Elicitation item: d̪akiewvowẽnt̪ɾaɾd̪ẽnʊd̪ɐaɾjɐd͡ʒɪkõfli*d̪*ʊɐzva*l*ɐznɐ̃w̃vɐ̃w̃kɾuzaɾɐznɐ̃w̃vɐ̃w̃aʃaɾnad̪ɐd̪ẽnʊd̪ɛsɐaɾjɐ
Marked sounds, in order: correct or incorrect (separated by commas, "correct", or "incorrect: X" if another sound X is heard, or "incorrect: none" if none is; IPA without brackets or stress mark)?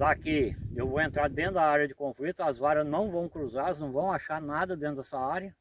incorrect: t̪, incorrect: ɾ